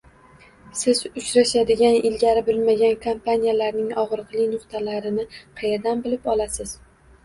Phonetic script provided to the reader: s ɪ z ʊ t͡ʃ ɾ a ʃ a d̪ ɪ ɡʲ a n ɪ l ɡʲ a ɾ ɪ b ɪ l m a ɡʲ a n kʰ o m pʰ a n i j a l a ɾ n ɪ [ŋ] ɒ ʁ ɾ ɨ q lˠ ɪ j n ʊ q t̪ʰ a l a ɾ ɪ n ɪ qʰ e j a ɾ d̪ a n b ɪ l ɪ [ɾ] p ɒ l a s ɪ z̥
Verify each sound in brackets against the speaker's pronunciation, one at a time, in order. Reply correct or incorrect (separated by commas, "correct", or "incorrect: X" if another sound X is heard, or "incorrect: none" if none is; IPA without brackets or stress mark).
correct, incorrect: none